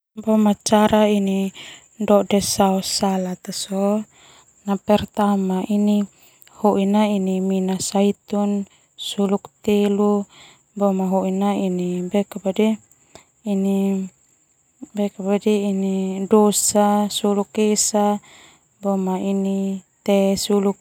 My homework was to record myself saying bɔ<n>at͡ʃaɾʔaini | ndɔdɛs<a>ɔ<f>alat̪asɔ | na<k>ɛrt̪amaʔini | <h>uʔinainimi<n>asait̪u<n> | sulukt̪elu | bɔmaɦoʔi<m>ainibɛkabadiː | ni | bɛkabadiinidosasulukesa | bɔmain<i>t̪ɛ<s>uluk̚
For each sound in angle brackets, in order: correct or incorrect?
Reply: incorrect: m, correct, incorrect: s, incorrect: p, correct, correct, correct, incorrect: n, correct, correct

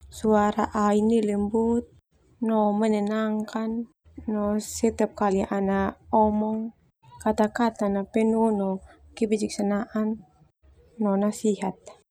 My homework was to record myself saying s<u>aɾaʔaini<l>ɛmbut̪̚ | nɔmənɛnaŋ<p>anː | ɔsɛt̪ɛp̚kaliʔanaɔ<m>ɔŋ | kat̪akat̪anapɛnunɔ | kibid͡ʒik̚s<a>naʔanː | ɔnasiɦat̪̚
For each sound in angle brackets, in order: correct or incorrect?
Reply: correct, correct, incorrect: k, correct, correct

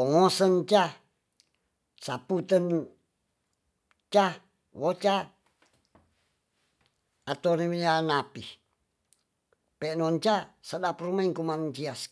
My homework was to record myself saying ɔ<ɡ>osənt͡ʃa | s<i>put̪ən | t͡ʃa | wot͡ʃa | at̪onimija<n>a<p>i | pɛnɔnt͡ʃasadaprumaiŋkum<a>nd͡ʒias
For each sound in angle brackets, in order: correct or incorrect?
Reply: incorrect: ŋ, incorrect: a, correct, correct, correct

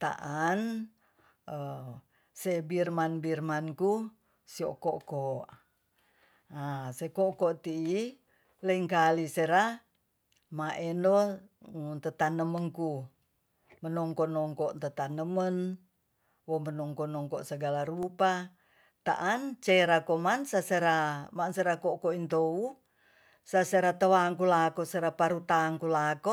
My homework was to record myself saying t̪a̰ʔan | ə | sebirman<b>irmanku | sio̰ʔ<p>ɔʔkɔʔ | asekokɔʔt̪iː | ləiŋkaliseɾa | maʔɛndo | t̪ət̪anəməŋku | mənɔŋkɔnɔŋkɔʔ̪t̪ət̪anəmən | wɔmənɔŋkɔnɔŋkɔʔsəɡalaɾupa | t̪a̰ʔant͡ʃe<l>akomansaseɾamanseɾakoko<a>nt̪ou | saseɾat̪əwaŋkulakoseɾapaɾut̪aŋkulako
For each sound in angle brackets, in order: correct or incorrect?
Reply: correct, incorrect: k, incorrect: ɾ, incorrect: i

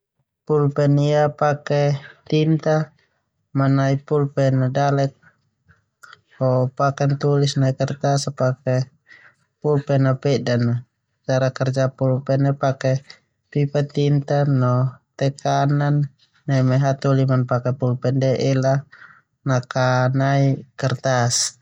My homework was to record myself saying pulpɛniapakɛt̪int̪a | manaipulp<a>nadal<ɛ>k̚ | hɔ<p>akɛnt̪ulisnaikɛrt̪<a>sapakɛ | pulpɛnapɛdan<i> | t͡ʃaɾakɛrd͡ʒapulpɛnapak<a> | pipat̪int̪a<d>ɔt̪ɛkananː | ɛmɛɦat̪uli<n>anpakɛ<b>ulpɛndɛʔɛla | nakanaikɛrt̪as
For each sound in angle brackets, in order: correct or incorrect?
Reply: incorrect: ɛ, correct, correct, correct, incorrect: a, incorrect: ɛ, incorrect: n, incorrect: m, incorrect: p

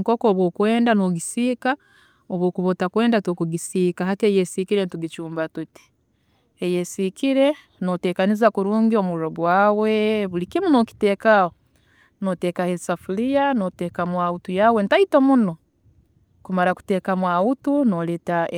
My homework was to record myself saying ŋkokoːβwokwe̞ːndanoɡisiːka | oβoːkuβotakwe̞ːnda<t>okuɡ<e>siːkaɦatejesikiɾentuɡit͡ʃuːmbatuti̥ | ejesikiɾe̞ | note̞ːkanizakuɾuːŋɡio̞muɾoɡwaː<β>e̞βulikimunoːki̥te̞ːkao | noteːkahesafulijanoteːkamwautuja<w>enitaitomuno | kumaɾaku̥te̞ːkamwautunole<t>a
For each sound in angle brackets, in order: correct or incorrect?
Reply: correct, incorrect: i, incorrect: w, correct, correct

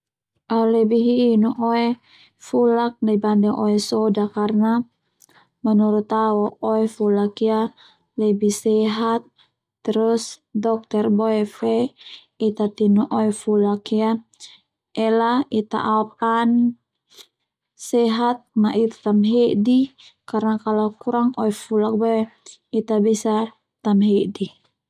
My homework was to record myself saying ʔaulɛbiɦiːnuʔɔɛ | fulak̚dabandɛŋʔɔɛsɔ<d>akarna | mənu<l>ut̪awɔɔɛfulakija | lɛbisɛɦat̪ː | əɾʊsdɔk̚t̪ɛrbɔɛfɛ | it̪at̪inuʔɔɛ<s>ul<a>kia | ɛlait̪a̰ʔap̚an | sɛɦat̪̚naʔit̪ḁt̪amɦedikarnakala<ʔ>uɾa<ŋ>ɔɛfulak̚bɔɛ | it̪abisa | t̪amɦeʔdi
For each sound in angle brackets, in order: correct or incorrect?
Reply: correct, incorrect: ɾ, incorrect: f, correct, incorrect: k, correct

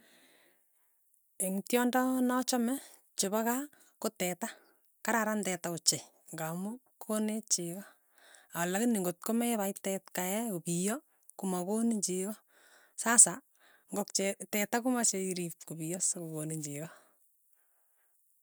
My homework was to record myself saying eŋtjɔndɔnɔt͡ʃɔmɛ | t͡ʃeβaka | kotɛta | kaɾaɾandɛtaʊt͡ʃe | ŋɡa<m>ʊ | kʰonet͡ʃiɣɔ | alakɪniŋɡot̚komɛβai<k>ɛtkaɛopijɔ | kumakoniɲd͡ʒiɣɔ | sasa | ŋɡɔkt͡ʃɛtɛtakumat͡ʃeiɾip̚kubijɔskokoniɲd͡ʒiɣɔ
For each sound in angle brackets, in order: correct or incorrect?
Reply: correct, incorrect: t

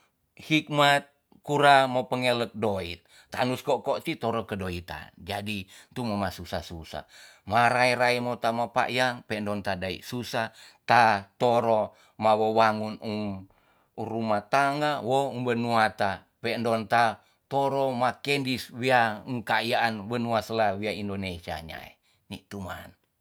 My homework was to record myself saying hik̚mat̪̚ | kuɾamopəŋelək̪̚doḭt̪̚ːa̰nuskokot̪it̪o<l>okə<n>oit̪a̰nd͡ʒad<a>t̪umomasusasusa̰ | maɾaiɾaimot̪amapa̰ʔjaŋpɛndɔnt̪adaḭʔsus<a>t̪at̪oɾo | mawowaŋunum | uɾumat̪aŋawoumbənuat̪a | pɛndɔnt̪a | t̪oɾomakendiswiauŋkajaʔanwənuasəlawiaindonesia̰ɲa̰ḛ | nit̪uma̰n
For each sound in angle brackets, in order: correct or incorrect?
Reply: incorrect: ɾ, incorrect: d, incorrect: i, correct

